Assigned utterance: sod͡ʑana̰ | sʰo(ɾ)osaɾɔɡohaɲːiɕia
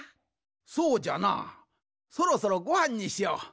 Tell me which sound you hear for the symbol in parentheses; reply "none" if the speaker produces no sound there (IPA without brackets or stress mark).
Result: ɾ